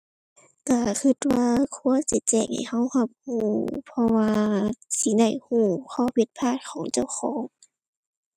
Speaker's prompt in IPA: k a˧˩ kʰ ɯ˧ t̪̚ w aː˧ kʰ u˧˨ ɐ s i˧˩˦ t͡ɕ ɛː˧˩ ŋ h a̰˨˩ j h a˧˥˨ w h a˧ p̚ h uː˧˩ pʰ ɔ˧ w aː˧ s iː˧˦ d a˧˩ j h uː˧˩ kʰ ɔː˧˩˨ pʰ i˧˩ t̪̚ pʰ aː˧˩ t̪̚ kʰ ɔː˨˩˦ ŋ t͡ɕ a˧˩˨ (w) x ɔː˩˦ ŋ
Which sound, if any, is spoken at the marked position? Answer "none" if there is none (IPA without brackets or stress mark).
w